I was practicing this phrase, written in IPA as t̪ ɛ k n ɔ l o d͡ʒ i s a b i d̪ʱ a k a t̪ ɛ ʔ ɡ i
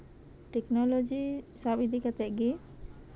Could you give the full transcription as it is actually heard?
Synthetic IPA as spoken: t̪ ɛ k n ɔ l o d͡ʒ i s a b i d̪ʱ i k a t̪ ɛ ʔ ɡ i